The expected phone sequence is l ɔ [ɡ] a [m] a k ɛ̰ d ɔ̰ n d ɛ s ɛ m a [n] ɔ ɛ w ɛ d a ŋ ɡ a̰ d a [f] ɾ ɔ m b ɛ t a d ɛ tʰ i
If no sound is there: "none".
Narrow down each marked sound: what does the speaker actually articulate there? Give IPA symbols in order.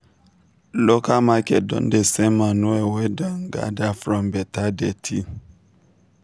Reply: k, m, n, f

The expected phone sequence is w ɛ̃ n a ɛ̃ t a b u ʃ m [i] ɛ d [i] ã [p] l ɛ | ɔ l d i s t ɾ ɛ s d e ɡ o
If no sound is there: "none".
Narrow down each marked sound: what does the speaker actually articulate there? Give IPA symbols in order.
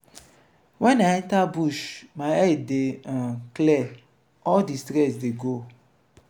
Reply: a, e, k

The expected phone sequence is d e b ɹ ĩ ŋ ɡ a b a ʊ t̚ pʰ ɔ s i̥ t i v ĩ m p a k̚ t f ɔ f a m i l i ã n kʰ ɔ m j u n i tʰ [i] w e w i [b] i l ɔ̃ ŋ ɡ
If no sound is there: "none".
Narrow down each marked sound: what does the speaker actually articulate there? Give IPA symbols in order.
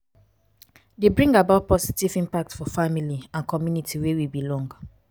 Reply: i, b

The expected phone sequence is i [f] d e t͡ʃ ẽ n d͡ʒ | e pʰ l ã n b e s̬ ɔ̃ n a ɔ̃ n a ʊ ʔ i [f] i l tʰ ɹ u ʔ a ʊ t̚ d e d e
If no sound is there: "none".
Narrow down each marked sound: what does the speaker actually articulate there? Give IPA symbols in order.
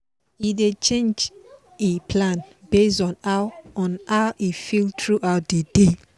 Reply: none, f

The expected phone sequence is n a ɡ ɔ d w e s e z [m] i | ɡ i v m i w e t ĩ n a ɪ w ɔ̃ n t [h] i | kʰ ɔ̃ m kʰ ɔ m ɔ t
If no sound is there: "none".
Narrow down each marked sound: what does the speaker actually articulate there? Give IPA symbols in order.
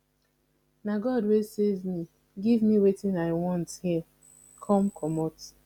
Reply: m, h

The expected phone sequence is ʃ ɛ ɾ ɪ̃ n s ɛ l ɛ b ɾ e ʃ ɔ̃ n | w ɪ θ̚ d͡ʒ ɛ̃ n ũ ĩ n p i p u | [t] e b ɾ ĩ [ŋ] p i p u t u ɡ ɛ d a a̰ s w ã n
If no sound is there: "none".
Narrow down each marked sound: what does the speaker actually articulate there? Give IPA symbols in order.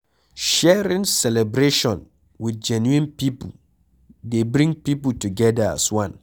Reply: d, ŋ

